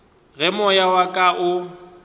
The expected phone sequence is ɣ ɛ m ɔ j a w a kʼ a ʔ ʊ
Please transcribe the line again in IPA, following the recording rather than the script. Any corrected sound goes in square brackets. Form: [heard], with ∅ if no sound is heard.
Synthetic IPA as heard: ɣ ɛ m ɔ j a w a kʼ a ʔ ʊ